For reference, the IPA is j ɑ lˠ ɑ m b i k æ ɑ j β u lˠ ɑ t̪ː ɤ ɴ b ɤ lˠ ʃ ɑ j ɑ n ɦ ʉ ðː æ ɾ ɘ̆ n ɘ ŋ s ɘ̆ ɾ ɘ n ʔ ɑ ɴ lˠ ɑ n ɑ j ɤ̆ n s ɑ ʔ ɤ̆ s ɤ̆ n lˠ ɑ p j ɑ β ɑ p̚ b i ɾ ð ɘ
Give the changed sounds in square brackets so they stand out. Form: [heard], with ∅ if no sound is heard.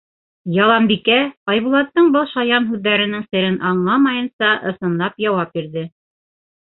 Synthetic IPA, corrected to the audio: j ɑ lˠ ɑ m b i k æ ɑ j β u lˠ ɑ t̪ː ɤ ɴ b ɤ lˠ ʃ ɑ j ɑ n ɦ ʉ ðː æ ɾ ɘ̆ n ɘ ŋ s ɘ̆ ɾ ɘ n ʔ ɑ ɴ lˠ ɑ [m] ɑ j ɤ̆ n s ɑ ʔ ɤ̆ s ɤ̆ n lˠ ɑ p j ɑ [w] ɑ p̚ b i ɾ ð ɘ